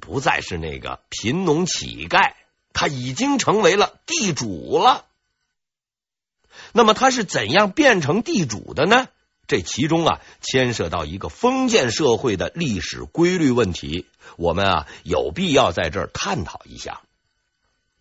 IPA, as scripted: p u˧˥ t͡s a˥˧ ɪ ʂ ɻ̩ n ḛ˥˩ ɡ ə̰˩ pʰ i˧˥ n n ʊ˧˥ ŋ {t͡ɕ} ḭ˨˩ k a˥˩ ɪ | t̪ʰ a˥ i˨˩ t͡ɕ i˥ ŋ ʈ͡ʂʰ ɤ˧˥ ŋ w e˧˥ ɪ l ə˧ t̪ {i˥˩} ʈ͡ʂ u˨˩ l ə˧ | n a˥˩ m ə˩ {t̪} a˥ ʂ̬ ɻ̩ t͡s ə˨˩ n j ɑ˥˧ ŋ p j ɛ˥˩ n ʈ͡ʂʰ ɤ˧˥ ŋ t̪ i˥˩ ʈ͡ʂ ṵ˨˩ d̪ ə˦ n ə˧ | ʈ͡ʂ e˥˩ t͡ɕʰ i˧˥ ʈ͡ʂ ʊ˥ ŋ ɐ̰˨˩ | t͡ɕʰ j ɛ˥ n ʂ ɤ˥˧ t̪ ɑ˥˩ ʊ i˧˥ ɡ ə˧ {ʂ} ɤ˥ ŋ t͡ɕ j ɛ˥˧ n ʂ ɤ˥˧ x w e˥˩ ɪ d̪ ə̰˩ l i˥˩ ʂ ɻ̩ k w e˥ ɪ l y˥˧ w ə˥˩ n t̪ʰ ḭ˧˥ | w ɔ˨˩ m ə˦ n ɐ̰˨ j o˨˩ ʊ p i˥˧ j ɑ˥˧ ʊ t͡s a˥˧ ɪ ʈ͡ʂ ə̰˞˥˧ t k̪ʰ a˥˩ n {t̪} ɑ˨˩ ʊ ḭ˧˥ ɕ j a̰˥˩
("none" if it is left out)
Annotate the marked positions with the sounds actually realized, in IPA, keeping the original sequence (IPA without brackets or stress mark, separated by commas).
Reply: t͡ɕʰ, i˥˩, t̪ʰ, f, t̪ʰ